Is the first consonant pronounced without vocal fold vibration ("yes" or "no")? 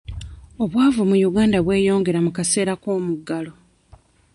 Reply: no